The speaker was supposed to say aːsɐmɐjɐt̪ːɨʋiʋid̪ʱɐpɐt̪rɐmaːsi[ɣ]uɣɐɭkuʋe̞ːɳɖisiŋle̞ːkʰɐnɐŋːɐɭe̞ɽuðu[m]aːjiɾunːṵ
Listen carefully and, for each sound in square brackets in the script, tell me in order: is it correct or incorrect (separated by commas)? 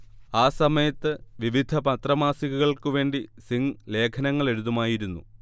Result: correct, correct